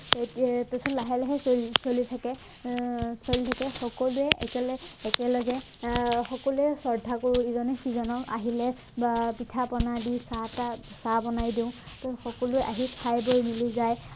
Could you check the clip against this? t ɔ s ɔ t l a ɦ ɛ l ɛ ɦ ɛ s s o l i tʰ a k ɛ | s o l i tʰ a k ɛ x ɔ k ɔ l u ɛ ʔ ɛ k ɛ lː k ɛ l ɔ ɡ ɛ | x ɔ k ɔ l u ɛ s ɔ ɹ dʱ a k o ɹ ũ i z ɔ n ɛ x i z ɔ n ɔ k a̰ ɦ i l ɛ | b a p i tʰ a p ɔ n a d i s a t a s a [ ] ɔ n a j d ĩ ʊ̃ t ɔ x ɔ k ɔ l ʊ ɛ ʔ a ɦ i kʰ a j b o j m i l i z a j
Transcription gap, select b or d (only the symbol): b